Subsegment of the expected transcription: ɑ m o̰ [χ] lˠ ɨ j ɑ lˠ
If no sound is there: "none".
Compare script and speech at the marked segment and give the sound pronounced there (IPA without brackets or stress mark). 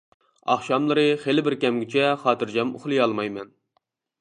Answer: χ